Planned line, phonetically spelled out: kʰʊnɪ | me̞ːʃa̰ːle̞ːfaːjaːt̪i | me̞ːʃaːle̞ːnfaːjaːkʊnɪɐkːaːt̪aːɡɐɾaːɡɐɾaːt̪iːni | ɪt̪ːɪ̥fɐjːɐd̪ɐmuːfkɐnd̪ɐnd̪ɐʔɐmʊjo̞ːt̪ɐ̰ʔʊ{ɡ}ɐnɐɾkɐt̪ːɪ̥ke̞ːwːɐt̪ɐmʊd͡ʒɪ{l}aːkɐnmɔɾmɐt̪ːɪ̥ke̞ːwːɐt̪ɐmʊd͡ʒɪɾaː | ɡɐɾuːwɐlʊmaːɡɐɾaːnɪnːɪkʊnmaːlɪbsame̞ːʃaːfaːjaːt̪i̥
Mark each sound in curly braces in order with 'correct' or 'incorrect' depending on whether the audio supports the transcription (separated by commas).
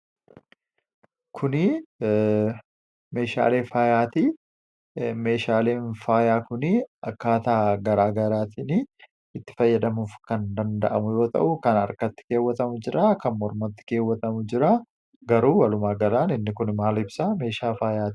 incorrect, incorrect